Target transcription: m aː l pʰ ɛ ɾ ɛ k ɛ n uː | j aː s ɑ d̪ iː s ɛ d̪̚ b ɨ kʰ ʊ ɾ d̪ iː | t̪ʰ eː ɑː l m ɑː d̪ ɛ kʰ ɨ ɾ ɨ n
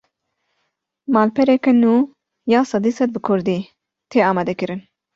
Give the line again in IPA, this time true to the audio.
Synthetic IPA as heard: m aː l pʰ ɛ ɾ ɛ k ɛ n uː | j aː s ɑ d̪ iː s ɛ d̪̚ b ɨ kʰ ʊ ɾ d̪ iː | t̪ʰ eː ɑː m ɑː d̪ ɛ k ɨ ɾ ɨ n